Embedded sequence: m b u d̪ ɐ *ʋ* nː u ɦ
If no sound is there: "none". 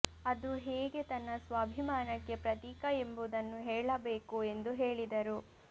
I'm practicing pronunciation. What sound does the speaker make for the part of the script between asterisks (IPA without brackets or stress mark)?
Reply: none